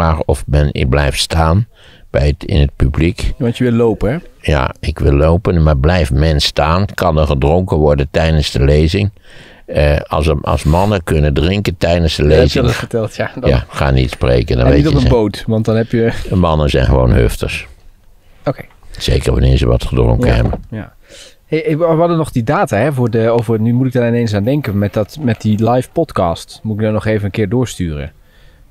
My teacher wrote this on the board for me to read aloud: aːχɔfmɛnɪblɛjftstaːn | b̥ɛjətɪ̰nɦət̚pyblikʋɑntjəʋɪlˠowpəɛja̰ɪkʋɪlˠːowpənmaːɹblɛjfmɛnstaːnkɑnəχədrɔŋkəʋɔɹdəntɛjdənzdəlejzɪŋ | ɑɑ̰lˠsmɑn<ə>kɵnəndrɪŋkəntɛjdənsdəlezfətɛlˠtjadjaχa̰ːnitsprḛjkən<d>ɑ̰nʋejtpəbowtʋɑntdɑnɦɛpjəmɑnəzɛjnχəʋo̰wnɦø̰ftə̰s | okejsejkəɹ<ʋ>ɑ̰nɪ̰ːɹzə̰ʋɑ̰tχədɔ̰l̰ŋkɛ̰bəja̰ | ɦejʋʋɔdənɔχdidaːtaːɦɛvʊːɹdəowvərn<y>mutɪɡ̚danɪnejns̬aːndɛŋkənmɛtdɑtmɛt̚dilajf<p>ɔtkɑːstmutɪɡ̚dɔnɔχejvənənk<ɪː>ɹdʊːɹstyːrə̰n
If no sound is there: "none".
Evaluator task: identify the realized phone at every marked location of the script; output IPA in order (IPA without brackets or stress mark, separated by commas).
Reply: ə, d, ʋ, y, p, ɪː